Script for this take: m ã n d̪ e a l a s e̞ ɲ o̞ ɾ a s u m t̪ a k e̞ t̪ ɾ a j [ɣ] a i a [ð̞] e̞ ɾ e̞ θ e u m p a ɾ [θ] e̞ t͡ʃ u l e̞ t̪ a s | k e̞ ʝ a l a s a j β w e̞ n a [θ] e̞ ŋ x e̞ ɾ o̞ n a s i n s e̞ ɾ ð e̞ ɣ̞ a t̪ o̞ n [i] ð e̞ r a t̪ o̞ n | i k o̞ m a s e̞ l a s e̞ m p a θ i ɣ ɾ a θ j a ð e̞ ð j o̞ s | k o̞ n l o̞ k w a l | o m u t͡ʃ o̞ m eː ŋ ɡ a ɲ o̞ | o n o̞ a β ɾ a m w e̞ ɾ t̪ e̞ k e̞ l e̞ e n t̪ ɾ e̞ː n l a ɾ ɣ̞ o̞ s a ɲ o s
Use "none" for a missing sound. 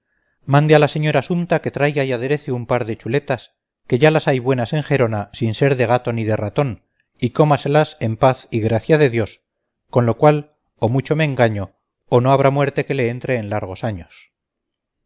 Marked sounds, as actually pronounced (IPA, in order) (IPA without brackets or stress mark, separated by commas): ɣ, ð̞, ð, s, i